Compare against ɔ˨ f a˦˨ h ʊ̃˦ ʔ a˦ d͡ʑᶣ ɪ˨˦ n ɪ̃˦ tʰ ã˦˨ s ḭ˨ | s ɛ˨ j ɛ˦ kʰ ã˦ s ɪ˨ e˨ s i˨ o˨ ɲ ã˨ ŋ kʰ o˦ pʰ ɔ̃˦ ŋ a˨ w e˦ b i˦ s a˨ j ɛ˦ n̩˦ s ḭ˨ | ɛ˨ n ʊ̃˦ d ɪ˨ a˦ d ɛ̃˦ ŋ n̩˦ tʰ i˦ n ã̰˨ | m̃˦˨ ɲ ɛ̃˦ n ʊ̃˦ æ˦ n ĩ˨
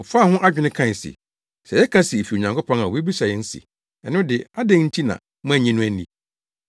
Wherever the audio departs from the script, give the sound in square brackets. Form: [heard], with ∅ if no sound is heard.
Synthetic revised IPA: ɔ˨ f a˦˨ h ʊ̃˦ ʔ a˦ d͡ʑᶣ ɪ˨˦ n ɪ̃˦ [kʰ] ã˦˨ s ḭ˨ | s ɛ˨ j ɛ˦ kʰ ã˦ s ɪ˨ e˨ [f] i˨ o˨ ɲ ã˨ ŋ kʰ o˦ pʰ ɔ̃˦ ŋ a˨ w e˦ b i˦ s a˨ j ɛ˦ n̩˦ s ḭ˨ | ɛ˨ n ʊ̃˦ d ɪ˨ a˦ d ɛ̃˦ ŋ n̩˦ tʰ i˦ n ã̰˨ | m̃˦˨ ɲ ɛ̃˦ n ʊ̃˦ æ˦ n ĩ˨